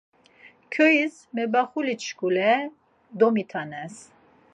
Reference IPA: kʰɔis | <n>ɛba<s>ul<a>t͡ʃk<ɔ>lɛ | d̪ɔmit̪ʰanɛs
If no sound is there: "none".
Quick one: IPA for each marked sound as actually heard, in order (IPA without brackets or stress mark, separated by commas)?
m, χ, i, u